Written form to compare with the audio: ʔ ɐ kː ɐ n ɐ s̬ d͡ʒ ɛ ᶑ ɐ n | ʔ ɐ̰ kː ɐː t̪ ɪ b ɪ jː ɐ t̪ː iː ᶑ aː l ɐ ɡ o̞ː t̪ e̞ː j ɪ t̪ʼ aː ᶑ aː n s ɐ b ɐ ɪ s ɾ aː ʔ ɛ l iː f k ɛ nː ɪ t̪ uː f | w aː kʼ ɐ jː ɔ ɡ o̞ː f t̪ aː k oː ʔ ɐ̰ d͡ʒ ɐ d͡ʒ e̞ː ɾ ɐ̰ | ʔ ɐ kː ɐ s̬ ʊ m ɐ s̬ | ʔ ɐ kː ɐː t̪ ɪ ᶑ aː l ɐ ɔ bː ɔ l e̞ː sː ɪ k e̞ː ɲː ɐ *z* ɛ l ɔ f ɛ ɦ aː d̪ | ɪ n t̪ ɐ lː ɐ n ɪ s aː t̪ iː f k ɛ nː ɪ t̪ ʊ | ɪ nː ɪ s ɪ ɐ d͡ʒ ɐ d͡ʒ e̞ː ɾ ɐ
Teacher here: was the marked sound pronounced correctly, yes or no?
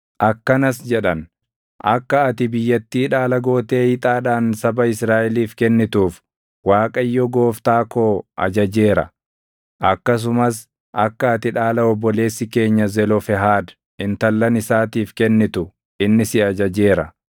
yes